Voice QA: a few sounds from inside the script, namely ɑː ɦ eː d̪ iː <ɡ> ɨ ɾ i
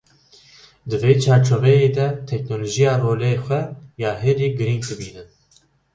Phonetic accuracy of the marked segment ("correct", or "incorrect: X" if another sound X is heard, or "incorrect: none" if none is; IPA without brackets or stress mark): correct